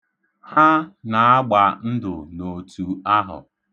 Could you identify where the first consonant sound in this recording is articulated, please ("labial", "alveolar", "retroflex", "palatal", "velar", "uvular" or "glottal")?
glottal